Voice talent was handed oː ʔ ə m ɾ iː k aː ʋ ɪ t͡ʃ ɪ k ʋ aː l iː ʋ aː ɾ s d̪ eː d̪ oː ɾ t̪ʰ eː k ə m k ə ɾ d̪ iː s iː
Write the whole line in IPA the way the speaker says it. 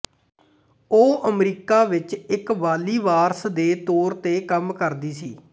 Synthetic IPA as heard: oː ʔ ə m ɾ iː k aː ʋ ɪ t͡ʃ ɪ k ʋ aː l iː ʋ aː ɾ s d̪ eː t̪ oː ɾ t̪ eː k ə m k ə ɾ d̪ iː s iː